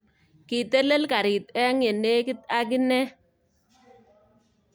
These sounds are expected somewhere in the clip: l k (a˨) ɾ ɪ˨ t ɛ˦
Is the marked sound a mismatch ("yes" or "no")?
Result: no